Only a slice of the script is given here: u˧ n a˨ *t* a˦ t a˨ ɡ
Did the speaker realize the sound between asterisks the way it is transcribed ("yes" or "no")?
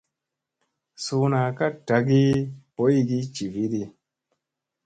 no